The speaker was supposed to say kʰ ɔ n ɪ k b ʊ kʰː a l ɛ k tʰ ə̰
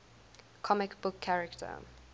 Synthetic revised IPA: kʰ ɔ m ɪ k b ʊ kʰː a ɹ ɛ k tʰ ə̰

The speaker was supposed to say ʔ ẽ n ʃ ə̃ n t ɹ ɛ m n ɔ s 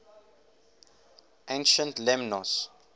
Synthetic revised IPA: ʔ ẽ n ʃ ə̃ n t l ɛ m n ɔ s

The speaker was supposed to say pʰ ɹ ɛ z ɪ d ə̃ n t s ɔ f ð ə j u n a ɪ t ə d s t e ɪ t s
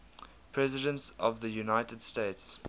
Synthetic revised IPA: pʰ ɹ ɛ z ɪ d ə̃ n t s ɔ v ð ə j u n a ɪ t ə d s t e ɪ t s

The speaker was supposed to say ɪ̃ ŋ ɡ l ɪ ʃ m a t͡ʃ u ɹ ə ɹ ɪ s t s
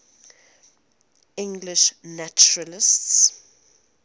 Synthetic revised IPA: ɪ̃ ŋ ɡ l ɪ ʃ n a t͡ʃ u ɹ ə l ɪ s t s

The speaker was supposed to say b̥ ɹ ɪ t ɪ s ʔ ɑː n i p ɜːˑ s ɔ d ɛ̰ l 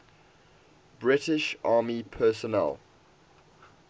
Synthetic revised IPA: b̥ ɹ ɪ t ɪ ʃ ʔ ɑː m i pʰ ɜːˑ s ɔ n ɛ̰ l

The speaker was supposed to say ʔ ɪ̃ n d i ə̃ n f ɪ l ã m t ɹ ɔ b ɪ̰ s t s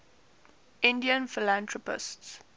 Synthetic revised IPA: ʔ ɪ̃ n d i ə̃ n f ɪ l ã n t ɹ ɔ p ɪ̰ s t s

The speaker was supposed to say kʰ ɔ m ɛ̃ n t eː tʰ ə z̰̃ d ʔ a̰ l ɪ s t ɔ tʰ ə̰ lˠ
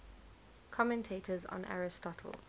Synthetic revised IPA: kʰ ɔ m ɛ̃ n tʰ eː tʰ ə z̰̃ n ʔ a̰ ɹ ɪ s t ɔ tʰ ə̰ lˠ

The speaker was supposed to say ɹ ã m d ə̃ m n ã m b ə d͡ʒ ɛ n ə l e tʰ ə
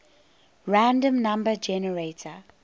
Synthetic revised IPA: ɹ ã n d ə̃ m n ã m b ə d͡ʒ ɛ n ə ɹ e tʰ ə

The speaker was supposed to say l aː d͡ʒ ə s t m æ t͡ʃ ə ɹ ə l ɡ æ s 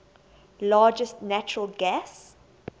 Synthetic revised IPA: l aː d͡ʒ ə s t n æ t͡ʃ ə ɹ ə l ɡ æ s

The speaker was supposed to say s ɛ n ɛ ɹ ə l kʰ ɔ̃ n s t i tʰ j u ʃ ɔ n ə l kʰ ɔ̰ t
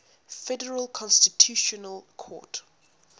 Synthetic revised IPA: f ɛ d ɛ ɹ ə l kʰ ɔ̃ n s t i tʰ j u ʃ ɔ n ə l kʰ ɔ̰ t

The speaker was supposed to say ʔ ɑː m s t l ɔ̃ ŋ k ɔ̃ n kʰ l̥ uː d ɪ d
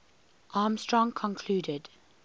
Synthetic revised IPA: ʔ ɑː m s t ɹ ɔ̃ ŋ kʰ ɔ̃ n kʰ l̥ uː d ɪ d

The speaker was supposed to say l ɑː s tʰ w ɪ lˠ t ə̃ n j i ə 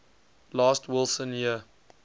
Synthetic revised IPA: l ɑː s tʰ w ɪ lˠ s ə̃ n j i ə

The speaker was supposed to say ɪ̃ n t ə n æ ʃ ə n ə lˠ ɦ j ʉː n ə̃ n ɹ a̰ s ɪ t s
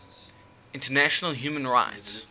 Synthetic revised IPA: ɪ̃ n t ə n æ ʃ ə n ə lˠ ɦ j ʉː m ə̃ n ɹ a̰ ɪ t s

